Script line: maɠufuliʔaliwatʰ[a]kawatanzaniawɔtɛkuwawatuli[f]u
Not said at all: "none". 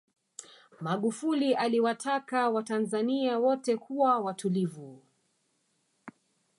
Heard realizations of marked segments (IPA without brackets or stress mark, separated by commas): a, v